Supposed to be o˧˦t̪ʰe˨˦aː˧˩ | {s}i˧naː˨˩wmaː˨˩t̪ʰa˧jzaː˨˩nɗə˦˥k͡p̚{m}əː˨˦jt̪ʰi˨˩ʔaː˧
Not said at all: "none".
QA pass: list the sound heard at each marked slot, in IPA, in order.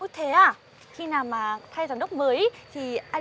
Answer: x, m

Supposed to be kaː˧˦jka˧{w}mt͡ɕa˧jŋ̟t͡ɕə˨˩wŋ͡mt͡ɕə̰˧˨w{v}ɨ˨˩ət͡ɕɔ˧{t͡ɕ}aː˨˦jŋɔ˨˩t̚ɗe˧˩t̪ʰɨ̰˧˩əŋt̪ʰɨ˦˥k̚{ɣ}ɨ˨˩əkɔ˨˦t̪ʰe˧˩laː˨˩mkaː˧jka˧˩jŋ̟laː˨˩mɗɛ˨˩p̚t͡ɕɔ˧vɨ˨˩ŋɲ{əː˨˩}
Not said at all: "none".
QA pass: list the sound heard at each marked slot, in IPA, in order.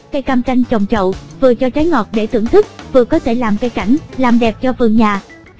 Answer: none, v, t͡ɕ, v, aː˨˩

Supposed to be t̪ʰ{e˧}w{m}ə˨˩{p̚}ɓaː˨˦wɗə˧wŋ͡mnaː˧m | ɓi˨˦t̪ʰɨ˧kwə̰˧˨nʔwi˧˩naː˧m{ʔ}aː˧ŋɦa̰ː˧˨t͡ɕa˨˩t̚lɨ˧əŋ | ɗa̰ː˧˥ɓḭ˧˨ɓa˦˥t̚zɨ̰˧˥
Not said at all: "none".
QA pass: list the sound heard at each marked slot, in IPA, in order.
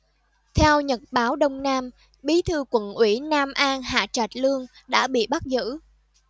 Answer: ɛ˧, ɲ, t̚, ʔ

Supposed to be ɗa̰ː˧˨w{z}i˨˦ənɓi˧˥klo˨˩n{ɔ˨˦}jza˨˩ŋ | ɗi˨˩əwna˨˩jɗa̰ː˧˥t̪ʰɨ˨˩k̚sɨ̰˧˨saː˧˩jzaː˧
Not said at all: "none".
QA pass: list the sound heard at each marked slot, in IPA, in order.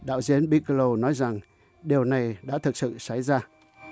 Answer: z, ɔ˨˦

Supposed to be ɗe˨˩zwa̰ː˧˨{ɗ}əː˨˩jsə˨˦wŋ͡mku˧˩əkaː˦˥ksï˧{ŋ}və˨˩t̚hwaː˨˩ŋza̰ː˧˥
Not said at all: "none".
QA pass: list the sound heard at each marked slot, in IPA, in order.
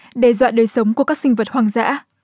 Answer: ɗ, ŋ

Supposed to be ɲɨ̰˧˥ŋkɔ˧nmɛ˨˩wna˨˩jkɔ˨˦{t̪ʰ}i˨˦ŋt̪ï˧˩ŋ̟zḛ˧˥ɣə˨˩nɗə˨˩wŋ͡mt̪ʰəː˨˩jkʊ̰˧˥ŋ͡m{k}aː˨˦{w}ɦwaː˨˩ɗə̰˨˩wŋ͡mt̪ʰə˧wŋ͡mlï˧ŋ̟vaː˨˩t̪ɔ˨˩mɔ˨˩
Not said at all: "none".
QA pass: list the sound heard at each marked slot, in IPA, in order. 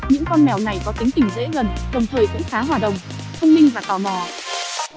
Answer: t̪, x, none

